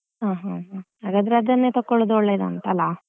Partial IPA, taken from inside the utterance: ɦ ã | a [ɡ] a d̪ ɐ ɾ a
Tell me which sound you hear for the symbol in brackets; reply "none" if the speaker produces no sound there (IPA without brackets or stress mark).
ɡ